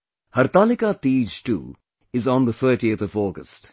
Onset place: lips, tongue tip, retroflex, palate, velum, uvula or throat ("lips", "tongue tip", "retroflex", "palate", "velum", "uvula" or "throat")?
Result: throat